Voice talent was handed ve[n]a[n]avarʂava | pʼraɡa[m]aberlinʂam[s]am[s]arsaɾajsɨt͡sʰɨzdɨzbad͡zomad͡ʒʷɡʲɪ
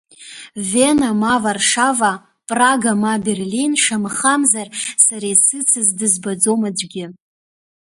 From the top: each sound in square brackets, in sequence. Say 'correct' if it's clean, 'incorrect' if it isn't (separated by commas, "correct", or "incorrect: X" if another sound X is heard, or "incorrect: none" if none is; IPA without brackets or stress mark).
correct, incorrect: m, correct, incorrect: χ, incorrect: z